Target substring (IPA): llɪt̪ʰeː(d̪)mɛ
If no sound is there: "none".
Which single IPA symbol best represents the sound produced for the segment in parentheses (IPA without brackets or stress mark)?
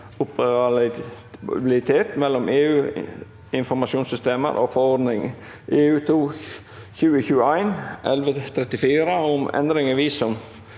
t̪